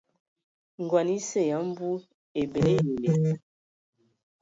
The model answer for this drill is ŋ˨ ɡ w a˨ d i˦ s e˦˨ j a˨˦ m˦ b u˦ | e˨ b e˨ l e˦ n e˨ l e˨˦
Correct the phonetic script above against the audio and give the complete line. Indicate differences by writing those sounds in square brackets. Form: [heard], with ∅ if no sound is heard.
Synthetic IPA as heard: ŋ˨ ɡ w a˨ [n] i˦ s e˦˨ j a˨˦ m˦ b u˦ | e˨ b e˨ l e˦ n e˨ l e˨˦